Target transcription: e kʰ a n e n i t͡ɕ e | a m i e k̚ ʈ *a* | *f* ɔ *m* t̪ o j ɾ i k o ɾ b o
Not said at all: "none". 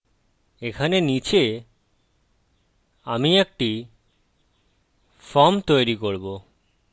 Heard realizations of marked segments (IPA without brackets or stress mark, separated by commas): i, f, m